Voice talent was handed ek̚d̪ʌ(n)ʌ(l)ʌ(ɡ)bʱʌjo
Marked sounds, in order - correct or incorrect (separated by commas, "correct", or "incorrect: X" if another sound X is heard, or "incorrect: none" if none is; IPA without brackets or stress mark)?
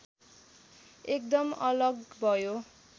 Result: incorrect: m, correct, correct